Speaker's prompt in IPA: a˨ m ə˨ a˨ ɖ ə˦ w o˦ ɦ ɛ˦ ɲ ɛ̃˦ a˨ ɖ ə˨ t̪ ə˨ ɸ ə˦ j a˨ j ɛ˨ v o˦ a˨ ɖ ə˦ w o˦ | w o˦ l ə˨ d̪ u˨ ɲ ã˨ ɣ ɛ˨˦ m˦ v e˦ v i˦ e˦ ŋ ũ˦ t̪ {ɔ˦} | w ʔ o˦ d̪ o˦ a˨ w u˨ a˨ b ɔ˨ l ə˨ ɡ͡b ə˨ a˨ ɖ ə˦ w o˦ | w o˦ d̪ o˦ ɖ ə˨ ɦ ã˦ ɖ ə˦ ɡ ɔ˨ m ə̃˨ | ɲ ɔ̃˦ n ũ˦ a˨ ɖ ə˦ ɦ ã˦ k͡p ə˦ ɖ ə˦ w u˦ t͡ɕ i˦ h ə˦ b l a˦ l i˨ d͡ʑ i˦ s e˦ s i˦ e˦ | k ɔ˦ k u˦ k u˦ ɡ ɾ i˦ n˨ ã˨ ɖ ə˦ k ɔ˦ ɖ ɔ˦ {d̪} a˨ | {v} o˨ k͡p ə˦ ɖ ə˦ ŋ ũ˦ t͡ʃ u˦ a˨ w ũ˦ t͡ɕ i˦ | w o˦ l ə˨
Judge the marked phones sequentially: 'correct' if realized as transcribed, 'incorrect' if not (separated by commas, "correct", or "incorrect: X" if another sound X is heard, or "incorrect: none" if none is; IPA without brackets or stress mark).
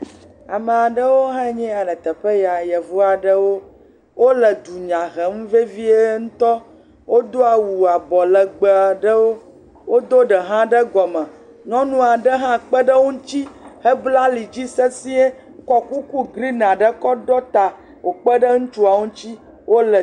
correct, incorrect: t̪, incorrect: w